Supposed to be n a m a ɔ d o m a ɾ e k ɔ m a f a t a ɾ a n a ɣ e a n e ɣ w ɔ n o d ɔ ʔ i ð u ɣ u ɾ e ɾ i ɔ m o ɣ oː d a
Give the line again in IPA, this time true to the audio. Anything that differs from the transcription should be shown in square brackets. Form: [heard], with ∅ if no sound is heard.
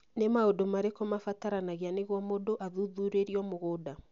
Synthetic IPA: n [e] m a [o] d o m a ɾ e k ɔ m a f a t a ɾ a n a ɣ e a n e ɣ w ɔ [m] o d [o] ʔ [a] ð u [ð] u ɾ e ɾ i ɔ m o ɣ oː d a